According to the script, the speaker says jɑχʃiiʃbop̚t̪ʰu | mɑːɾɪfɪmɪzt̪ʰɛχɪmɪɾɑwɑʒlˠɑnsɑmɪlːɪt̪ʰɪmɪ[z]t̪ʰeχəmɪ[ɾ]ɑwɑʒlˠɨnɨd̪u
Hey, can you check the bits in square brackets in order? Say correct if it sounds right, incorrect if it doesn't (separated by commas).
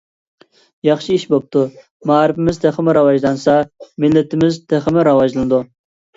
correct, correct